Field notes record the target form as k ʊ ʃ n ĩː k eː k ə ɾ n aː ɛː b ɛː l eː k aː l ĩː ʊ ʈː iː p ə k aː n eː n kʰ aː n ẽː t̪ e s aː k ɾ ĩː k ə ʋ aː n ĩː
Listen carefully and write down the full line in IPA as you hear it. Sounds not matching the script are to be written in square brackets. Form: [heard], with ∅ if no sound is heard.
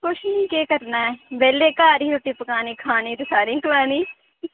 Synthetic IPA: k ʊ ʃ n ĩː k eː k ə ɾ n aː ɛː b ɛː l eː k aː [ɾ] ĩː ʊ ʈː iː p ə k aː n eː [∅] kʰ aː n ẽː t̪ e s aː [∅] ɾ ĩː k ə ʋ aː n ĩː

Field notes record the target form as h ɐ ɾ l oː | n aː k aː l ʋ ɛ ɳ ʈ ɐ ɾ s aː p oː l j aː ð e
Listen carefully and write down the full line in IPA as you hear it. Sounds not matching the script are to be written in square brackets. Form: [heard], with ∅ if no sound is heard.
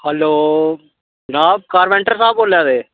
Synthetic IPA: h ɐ [∅] l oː | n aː k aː [ɾ] ʋ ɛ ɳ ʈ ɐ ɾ s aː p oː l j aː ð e

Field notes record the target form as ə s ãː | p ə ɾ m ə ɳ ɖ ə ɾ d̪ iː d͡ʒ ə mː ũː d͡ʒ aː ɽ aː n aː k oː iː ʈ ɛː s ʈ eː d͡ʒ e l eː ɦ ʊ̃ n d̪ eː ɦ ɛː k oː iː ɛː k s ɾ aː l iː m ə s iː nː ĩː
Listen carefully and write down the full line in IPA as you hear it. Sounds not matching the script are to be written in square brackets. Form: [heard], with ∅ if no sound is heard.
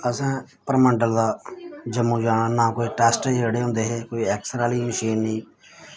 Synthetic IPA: ə s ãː | p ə ɾ m ə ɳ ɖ ə [l] d̪ [aː] d͡ʒ ə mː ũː d͡ʒ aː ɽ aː n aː k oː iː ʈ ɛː s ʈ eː d͡ʒ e [ɽ] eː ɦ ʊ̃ n d̪ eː ɦ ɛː k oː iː ɛː k s ɾ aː l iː m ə [ʃ] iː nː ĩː

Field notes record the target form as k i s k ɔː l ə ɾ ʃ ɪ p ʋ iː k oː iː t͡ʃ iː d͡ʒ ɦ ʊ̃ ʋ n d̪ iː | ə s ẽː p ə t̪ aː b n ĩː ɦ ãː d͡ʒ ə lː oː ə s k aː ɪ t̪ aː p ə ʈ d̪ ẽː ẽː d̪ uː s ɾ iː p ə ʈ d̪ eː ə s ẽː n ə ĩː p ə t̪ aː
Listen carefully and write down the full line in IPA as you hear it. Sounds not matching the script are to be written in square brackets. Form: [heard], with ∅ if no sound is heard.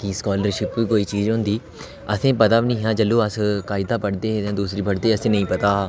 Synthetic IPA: k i s k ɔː l ə ɾ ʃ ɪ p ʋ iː k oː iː t͡ʃ iː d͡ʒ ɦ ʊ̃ [∅] n d̪ iː | ə s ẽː p ə t̪ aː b n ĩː ɦ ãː d͡ʒ ə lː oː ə s k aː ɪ [d̪] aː p ə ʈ d̪ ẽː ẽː d̪ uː s ɾ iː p ə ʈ d̪ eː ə s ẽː n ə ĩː p ə t̪ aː

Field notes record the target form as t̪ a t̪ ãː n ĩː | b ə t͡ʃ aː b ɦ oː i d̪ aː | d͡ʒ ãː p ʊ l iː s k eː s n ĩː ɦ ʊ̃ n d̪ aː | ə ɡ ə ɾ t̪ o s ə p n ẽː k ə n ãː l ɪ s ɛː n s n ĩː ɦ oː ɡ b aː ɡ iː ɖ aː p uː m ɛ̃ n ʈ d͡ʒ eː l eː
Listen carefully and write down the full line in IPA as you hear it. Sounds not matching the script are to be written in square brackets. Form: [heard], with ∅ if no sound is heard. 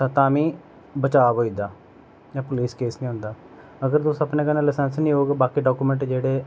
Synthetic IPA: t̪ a t̪ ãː [m] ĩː | b ə t͡ʃ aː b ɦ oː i d̪ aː | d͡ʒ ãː p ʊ l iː s k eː s n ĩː ɦ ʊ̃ n d̪ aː | ə ɡ ə ɾ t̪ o s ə p n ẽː k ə n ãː l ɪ s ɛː n s n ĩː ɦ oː ɡ b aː [k] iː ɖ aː [k] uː m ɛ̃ [ɳ] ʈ d͡ʒ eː [ɽ] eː

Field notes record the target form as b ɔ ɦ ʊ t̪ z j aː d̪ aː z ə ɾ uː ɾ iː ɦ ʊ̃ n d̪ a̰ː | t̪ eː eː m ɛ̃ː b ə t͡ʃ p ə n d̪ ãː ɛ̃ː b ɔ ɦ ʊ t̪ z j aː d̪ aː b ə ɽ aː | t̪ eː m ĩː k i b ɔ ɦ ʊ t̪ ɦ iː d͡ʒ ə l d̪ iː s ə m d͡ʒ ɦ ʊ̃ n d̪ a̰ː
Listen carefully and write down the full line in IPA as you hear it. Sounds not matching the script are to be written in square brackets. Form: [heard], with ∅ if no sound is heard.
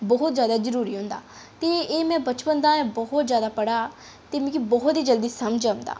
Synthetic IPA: b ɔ ɦ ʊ t̪ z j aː d̪ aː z ə ɾ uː ɾ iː ɦ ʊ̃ n d̪ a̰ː | t̪ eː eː m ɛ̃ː b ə t͡ʃ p ə n d̪ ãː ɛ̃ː b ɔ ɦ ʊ t̪ z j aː d̪ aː [p] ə ɽ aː | t̪ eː m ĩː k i b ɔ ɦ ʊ t̪ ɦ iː d͡ʒ ə l d̪ iː s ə m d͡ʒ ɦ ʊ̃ n d̪ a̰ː

